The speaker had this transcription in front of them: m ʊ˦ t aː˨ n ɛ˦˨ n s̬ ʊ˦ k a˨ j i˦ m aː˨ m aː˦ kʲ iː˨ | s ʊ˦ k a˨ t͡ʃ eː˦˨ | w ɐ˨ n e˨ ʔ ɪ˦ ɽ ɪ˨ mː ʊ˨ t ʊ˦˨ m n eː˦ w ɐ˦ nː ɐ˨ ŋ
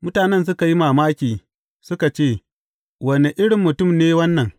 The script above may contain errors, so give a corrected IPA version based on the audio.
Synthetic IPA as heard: m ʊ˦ t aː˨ n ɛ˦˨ n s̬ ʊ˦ k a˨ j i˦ m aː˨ m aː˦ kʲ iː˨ | s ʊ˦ k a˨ t͡ʃ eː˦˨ | w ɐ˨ n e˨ ʔ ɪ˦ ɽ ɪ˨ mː ʊ˨ t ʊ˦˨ m n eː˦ w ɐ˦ nː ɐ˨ ŋ